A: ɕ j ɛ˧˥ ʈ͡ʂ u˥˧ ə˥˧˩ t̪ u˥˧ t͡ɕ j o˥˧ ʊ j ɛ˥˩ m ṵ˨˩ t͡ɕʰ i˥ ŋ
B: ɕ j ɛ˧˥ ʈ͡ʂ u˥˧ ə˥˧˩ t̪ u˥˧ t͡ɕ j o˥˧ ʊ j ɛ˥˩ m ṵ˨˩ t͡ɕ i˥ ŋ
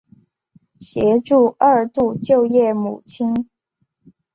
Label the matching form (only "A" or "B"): A